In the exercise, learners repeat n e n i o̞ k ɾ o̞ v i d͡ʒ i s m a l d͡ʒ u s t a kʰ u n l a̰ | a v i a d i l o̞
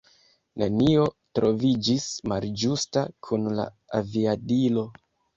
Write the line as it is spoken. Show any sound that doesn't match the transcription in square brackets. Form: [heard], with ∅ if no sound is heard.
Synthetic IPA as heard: n e n i o̞ [t] ɾ o̞ v i d͡ʒ i s m a l d͡ʒ u s t a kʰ u n l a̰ | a v i a d i l o̞